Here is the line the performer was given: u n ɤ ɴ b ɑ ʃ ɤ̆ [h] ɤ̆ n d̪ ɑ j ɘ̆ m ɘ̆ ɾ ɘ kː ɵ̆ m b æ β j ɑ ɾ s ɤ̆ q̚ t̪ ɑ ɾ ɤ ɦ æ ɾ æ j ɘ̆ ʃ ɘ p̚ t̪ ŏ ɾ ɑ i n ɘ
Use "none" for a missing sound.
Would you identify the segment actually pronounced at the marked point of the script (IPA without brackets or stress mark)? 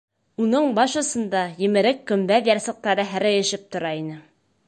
s